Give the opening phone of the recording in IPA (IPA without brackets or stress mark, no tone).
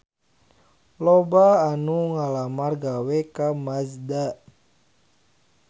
l